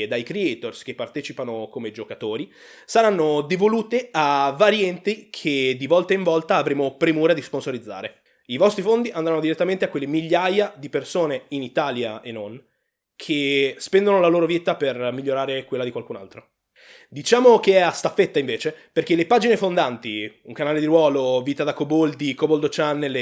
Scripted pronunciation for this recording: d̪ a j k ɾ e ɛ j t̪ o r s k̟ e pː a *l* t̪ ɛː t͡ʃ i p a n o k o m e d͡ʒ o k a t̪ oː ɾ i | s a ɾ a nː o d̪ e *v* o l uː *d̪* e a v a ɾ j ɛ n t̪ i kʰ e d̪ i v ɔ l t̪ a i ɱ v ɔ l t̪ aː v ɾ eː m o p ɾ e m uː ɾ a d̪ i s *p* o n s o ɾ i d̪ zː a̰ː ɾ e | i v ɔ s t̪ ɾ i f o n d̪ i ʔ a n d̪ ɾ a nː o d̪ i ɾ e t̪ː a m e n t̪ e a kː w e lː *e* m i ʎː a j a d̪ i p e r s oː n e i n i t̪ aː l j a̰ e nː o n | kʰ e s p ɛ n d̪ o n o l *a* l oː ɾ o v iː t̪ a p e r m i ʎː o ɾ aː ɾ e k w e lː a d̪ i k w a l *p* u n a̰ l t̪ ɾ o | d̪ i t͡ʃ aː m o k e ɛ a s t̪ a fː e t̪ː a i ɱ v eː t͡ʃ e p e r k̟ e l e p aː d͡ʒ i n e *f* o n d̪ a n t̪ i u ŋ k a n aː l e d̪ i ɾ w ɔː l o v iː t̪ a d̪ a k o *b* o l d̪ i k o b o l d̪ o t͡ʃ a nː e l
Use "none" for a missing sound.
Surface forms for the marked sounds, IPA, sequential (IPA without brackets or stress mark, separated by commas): r, v, t̪, p, e, a, k, f, b